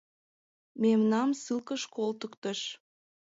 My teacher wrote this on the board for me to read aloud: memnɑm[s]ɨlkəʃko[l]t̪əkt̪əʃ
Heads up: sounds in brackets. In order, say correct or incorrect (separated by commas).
correct, correct